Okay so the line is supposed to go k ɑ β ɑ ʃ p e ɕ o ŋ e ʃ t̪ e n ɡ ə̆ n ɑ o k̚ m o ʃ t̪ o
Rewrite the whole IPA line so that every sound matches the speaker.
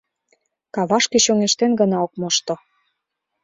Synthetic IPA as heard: k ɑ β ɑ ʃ k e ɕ o ŋ e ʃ t̪ e n ɡ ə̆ n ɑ o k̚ m o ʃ t̪ o